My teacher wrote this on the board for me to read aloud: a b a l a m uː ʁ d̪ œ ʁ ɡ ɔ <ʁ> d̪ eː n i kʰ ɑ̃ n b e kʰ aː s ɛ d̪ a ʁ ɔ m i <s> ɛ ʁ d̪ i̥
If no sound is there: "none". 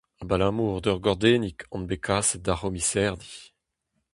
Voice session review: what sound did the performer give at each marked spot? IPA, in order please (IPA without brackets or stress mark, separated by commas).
ʁ, s